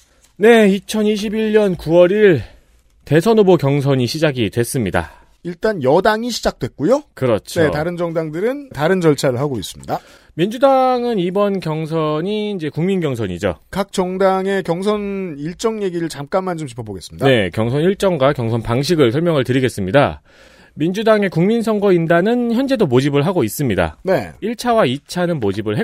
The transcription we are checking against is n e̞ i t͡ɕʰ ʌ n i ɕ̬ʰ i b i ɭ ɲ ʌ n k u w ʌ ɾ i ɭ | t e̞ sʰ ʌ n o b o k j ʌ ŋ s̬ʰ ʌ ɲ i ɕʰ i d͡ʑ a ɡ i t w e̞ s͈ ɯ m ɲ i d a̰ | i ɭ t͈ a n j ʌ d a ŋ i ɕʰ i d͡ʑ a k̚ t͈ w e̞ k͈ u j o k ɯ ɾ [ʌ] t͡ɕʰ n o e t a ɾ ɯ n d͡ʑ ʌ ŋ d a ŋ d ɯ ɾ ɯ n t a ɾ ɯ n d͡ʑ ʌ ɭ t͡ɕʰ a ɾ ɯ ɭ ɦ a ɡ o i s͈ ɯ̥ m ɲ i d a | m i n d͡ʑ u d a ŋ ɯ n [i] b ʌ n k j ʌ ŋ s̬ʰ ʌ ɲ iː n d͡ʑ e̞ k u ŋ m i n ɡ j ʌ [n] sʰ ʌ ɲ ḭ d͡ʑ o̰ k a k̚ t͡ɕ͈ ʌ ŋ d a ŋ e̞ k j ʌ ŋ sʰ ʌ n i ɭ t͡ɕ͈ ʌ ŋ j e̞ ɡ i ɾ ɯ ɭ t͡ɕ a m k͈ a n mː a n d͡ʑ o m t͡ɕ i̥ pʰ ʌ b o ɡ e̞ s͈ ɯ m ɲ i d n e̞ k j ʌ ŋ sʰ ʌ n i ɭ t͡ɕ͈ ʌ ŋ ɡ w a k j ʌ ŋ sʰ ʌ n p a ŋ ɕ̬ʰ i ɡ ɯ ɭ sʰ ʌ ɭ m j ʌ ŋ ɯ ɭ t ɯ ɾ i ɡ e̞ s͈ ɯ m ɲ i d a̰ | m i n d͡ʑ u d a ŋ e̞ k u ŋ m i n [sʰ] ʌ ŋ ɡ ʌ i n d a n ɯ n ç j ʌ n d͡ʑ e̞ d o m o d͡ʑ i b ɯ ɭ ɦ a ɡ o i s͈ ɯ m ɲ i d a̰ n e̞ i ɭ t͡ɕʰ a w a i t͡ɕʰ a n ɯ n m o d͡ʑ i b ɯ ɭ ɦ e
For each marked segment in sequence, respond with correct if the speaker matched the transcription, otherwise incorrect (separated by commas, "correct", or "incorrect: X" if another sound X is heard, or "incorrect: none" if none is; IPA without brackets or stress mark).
correct, correct, incorrect: ŋ, correct